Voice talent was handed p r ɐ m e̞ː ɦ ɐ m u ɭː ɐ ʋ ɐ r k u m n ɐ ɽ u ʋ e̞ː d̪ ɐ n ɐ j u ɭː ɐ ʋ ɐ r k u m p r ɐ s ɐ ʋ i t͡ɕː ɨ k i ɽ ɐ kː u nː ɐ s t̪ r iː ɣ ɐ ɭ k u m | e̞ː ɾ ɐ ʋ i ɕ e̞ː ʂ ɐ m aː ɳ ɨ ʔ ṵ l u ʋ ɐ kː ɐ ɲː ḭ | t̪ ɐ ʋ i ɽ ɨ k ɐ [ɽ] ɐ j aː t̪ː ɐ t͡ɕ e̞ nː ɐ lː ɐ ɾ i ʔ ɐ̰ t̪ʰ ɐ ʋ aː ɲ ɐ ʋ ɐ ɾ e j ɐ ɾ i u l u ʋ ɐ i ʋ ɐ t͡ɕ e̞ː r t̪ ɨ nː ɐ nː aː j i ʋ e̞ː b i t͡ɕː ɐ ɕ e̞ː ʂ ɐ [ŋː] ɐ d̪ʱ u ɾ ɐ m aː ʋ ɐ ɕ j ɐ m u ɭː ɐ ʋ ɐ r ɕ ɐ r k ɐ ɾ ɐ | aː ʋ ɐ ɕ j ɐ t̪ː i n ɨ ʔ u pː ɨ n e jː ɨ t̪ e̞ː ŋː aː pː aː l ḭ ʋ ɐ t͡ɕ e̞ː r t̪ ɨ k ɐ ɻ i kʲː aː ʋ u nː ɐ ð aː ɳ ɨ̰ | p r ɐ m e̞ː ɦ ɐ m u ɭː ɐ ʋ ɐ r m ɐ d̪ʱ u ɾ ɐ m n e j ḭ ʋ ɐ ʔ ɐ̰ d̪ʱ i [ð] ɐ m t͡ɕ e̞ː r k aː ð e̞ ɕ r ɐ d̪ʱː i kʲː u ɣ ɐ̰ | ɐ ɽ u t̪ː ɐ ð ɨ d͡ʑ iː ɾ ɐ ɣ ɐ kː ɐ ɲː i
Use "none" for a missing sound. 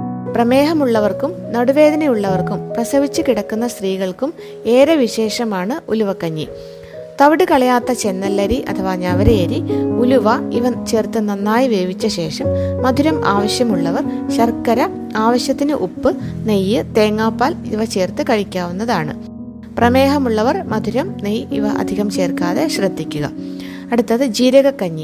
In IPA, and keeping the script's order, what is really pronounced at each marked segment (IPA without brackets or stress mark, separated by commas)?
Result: ɭ, mː, ɣ